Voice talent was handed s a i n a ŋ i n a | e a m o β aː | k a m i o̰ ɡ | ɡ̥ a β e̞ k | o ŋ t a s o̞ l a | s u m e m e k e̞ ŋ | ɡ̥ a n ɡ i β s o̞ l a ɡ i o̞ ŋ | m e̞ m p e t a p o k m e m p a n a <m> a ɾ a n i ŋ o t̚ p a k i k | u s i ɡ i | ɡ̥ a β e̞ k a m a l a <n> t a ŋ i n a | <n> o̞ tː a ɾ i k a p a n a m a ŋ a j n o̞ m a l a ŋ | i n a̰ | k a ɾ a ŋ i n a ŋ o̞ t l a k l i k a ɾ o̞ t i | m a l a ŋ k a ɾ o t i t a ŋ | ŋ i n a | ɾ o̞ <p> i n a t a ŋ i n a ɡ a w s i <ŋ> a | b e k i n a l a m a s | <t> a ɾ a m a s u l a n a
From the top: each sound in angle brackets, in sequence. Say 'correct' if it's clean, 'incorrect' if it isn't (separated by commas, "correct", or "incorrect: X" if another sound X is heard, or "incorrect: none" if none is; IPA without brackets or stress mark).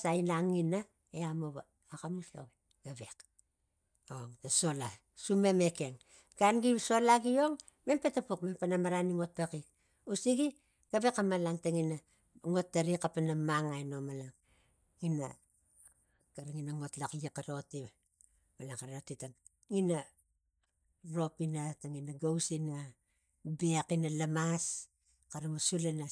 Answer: correct, incorrect: ŋ, incorrect: ŋ, correct, incorrect: n, incorrect: k